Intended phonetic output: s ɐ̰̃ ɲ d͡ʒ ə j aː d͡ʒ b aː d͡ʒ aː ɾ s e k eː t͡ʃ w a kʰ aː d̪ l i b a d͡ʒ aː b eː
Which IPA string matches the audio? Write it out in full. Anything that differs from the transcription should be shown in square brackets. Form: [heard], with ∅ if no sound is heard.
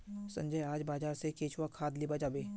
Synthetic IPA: s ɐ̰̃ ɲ d͡ʒ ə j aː d͡ʒ b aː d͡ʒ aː ɾ s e k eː t͡ʃ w a kʰ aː d̪ l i b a d͡ʒ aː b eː